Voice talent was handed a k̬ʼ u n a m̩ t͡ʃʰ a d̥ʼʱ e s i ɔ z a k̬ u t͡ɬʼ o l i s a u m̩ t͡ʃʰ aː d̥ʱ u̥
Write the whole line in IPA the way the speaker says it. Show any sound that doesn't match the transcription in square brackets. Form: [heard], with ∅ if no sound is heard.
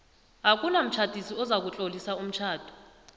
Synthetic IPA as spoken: a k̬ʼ u n a m̩ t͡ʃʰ a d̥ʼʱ [i] s i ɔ z a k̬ u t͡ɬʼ o l i s a u m̩ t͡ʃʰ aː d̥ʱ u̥